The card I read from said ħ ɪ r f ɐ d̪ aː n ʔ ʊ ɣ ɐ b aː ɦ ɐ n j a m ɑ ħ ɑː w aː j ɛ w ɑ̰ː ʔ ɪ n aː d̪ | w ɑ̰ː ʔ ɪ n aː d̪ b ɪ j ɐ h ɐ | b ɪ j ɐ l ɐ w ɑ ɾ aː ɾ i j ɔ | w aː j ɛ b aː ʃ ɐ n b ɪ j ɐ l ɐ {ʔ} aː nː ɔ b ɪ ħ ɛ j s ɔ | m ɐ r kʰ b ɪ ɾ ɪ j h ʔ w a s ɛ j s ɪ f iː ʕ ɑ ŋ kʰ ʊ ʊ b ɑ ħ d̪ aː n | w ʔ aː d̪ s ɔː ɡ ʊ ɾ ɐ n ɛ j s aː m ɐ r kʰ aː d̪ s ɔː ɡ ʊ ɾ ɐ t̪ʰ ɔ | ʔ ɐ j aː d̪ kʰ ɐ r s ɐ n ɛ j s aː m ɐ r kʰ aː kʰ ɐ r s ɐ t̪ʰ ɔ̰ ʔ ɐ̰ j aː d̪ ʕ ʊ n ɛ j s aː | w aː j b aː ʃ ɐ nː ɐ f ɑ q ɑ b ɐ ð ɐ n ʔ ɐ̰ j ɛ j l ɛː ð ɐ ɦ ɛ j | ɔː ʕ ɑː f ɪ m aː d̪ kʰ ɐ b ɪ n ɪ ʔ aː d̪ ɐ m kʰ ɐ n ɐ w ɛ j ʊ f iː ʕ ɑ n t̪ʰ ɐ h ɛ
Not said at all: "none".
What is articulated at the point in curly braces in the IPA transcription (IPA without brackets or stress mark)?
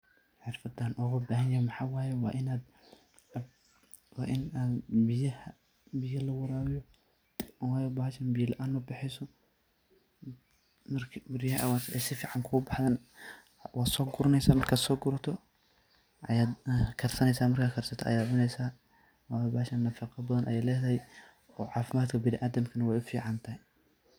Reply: ʔ